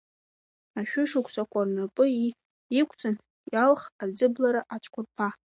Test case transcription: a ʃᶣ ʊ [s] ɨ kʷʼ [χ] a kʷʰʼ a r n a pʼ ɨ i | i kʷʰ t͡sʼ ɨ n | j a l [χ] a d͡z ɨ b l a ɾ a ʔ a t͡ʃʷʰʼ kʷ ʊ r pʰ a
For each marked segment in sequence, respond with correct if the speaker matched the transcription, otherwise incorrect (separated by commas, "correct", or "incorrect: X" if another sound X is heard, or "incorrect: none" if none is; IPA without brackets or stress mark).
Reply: incorrect: ʂ, incorrect: s, correct